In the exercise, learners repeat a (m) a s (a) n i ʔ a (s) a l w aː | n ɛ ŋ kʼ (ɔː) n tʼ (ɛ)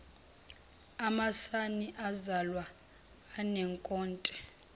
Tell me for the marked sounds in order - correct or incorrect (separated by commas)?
correct, correct, incorrect, correct, correct